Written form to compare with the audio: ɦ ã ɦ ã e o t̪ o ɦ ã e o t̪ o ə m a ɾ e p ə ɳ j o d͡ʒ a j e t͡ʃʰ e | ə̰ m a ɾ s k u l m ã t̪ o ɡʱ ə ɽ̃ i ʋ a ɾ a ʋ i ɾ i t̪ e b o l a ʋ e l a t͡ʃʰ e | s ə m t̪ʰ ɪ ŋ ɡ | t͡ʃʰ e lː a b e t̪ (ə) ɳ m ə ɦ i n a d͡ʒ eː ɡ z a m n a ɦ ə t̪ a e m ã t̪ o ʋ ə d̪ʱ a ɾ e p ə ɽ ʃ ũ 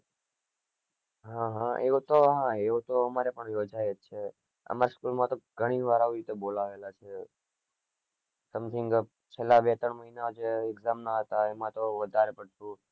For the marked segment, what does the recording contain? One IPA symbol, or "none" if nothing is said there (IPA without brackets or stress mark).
ə